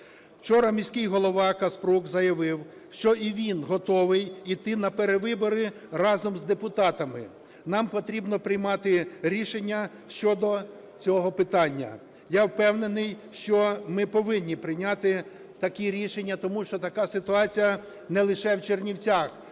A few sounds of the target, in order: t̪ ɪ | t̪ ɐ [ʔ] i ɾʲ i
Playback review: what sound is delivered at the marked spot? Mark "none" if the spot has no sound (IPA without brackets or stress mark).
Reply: k